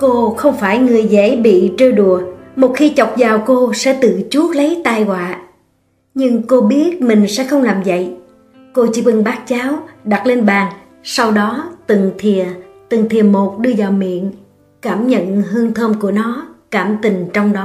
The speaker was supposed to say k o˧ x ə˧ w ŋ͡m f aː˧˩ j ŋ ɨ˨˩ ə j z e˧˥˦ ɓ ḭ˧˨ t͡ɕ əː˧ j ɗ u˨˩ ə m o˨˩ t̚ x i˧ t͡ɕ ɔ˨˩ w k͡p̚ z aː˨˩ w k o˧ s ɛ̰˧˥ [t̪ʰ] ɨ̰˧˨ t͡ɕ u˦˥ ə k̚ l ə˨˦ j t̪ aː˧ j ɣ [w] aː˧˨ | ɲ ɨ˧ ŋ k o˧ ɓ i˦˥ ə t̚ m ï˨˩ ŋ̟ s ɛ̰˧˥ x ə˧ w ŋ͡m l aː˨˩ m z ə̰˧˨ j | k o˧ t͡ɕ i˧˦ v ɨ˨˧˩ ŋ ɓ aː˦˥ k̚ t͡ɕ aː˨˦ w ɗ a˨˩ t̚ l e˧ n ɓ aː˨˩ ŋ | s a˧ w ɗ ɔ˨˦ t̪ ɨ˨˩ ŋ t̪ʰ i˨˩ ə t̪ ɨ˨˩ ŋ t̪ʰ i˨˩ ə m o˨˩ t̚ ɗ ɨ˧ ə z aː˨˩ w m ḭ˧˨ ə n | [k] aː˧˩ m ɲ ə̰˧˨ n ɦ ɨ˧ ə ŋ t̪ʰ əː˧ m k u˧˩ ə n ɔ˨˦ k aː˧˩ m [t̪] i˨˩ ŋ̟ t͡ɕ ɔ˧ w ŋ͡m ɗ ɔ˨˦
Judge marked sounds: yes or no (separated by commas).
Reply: no, yes, yes, yes